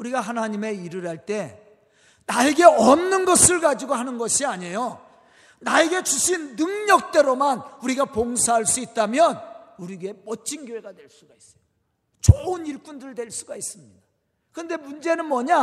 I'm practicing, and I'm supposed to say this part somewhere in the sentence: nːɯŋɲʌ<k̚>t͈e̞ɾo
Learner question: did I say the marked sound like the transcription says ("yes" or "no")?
yes